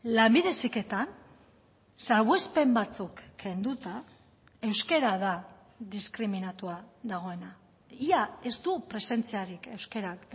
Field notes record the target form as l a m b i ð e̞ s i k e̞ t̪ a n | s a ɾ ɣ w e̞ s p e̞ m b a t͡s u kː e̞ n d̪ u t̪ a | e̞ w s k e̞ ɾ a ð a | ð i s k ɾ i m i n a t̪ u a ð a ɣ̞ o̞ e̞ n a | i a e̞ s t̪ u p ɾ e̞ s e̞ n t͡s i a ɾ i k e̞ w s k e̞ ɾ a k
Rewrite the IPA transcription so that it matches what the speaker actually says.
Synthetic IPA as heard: l a m b i ð e̞ s i k e̞ t̪ a n | s a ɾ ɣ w e̞ s p e̞ m b a t͡s u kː e̞ n d̪ u t̪ a | e̞ w s k e̞ ɾ a ð a | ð i s k ɾ i m i n a t̪ u a ð a ɣ̞ o̞ e̞ n a | i a e̞ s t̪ u p ɾ e̞ s e̞ n t͡s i a ɾ i k e̞ w s k e̞ ɾ a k

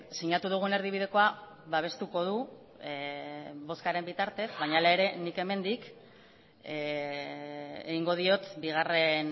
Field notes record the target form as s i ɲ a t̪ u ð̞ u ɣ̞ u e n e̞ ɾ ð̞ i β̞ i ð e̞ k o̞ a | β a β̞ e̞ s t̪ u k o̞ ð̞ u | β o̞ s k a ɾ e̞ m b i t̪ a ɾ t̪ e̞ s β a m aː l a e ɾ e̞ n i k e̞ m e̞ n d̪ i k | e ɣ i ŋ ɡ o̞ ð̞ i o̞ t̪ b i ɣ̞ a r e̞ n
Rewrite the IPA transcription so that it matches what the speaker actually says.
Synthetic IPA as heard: s i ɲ a t̪ u ð̞ u ɣ̞ u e n e̞ ɾ ð̞ i β̞ i ð e̞ k o̞ a | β a β̞ e̞ s t̪ u k o̞ ð̞ u | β o̞ s k a ɾ e̞ m b i t̪ a ɾ t̪ e̞ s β a ɲ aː l a e ɾ e̞ n i k e̞ m e̞ n d̪ i k | e ɣ i ŋ ɡ o̞ ð̞ i o̞ t̪ b i ɣ̞ a r e̞ n

